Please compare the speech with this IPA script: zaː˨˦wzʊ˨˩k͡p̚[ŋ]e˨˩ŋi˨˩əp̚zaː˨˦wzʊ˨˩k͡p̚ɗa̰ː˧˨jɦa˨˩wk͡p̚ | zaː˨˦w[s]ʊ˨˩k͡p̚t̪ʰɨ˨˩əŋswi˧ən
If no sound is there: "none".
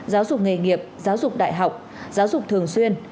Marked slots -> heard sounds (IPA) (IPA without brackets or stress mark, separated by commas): ŋ, z